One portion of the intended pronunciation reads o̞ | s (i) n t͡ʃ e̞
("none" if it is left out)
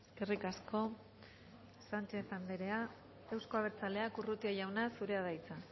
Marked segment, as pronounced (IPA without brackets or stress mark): a